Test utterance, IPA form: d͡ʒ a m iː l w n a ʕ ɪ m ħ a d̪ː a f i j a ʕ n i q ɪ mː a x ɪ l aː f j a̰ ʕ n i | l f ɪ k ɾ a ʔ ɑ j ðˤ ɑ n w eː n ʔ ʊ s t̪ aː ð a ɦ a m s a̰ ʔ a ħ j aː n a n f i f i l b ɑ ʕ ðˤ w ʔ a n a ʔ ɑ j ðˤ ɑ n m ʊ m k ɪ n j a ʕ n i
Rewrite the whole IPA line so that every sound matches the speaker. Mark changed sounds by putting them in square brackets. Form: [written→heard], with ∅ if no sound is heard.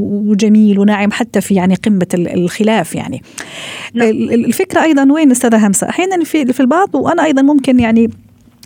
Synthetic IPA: d͡ʒ a m iː l w n a ʕ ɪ m ħ a [d̪ː→t̪ː] a f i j a ʕ n i q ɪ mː a x ɪ l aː f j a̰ ʕ n i | l f ɪ k ɾ a ʔ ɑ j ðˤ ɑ n w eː n ʔ ʊ s t̪ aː ð a ɦ a m s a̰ ʔ a ħ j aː n a n f i f i l b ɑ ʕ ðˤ w ʔ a n a ʔ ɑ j ðˤ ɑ n m ʊ m k ɪ n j a ʕ n i